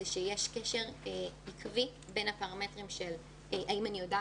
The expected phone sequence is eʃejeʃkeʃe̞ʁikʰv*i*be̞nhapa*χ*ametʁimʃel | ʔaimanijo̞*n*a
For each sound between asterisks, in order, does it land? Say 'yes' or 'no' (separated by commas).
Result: yes, no, no